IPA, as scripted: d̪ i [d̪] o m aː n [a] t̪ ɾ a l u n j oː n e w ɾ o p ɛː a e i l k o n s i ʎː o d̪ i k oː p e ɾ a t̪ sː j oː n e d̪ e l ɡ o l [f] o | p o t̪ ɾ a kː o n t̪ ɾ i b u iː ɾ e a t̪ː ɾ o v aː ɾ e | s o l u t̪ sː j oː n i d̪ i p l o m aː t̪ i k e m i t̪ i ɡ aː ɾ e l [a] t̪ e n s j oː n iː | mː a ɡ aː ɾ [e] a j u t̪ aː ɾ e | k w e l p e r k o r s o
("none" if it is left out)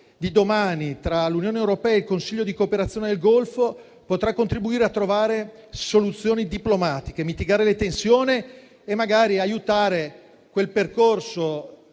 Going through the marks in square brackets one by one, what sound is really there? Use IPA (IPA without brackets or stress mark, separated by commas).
d̪, i, f, e, i